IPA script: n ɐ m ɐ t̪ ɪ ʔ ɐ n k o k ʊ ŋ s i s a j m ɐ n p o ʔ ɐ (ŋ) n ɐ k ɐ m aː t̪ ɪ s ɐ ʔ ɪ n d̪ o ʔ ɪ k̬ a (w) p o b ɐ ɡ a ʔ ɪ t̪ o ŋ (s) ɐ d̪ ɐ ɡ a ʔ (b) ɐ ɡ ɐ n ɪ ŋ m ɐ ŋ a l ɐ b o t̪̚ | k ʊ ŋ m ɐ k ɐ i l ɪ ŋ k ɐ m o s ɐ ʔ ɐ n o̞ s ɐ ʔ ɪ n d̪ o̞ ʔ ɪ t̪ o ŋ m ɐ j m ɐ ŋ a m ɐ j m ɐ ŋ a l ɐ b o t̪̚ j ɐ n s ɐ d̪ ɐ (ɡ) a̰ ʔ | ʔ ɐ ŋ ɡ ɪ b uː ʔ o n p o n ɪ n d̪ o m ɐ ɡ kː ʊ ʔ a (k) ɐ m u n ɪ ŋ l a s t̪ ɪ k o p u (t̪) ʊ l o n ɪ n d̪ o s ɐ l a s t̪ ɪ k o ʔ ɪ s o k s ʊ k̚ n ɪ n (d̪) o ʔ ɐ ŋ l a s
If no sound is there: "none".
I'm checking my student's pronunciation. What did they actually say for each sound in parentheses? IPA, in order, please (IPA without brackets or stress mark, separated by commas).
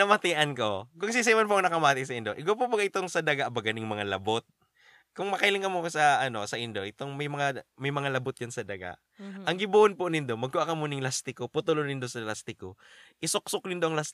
ŋ, w, s, b, ɡ, k, t̪, d̪